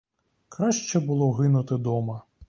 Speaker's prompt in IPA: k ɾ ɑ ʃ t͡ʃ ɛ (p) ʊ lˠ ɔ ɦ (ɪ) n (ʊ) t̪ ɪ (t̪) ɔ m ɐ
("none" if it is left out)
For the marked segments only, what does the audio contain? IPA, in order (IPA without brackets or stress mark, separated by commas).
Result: b, ɪ, ʊ, d̪